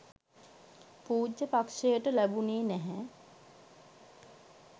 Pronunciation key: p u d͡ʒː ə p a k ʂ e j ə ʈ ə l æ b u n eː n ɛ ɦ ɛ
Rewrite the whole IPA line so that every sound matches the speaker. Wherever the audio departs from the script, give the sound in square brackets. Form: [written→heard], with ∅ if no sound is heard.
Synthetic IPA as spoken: p [u→uː] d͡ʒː ə p a k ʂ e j ə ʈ ə l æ b u n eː n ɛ ɦ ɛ